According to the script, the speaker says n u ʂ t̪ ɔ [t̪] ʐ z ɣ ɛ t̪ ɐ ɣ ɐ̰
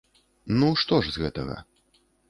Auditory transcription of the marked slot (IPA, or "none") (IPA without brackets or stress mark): none